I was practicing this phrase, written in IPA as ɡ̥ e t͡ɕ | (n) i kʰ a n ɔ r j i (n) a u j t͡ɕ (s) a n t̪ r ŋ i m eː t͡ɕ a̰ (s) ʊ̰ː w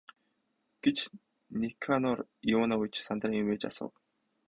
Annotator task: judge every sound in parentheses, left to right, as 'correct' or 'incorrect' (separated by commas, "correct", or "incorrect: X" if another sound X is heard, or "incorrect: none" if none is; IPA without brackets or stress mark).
correct, correct, correct, correct